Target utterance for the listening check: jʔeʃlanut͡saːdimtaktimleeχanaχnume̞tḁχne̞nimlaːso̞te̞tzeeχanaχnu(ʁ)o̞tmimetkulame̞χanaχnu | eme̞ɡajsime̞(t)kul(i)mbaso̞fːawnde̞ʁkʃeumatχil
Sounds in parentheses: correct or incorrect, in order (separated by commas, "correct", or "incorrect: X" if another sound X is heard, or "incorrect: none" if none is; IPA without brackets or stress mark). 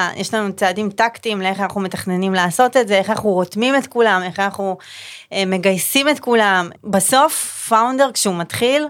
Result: correct, correct, incorrect: a